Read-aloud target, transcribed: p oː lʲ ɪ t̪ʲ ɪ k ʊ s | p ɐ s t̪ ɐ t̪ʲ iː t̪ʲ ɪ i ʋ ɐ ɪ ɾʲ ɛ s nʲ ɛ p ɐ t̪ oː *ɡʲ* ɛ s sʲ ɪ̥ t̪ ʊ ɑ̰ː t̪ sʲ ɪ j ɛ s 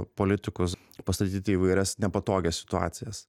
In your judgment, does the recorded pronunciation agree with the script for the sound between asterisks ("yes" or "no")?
yes